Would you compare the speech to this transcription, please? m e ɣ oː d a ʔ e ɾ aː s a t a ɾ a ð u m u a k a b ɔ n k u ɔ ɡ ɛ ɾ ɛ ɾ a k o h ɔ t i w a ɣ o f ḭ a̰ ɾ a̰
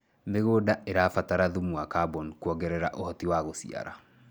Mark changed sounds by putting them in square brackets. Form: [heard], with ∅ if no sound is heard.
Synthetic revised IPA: m e ɣ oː d a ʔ e ɾ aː [f] a t a ɾ a ð u m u a k a b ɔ n k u ɔ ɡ ɛ ɾ ɛ ɾ a [ʔ] o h ɔ t i w a ɣ o [s] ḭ a̰ ɾ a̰